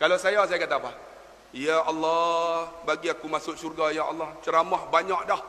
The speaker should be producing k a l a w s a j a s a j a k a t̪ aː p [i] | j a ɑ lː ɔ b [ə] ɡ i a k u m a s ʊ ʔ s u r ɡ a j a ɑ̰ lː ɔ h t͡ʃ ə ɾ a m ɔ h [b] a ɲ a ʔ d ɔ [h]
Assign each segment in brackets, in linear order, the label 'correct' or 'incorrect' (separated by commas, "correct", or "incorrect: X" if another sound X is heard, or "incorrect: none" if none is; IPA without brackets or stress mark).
incorrect: a, incorrect: a, correct, correct